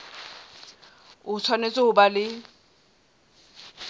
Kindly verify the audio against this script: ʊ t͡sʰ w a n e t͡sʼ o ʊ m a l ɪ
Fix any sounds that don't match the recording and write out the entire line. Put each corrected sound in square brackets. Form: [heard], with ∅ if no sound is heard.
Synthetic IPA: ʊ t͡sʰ w a n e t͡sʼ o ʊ [b] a l ɪ